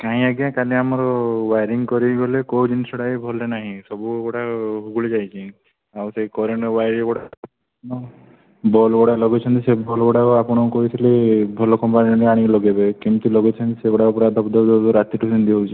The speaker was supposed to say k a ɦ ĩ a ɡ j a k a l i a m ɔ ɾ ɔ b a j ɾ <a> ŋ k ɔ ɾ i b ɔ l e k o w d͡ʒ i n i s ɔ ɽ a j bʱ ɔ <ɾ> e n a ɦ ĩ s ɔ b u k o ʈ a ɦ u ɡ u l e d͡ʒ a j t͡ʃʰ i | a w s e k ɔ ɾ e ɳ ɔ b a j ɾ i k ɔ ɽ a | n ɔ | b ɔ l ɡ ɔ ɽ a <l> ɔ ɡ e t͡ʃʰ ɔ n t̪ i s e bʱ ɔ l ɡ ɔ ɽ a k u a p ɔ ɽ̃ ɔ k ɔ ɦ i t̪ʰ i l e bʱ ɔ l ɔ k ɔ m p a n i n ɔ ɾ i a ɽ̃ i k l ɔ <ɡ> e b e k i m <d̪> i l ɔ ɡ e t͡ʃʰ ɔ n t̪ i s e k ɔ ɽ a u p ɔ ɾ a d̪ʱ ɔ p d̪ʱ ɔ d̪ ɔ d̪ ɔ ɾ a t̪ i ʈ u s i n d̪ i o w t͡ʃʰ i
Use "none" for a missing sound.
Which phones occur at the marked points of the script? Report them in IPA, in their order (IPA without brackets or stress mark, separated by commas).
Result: i, l, l, ɡ, t̪